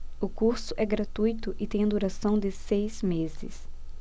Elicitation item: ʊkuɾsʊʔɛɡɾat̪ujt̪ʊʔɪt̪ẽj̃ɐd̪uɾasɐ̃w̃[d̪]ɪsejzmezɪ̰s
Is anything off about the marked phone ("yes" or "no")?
no